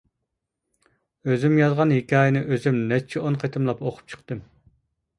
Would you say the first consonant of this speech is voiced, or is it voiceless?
voiced